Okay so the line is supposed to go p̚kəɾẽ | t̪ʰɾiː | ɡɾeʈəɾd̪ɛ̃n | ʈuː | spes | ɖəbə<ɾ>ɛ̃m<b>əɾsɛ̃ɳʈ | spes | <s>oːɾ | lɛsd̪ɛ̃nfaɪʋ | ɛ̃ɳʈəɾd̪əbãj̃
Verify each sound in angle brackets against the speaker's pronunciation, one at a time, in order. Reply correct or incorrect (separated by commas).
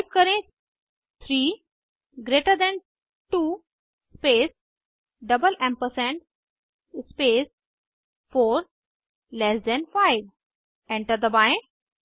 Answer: incorrect, incorrect, incorrect